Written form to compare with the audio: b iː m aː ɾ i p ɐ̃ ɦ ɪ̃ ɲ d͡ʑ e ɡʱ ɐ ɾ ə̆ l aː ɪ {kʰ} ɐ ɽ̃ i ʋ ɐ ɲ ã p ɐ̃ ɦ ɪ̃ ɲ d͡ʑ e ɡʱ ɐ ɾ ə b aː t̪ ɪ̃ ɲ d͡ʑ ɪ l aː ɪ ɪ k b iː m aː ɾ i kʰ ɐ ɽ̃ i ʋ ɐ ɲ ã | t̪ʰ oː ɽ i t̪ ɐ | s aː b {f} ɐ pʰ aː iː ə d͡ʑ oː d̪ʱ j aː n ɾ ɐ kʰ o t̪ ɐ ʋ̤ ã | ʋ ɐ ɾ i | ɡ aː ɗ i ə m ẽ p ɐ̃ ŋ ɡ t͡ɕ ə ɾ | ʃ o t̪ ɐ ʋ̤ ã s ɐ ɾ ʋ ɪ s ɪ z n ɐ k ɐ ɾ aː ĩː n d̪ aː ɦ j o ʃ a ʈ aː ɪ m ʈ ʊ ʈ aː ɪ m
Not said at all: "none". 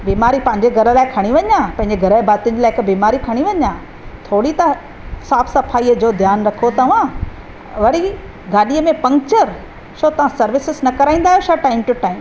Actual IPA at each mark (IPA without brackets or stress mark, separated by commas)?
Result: kʰ, s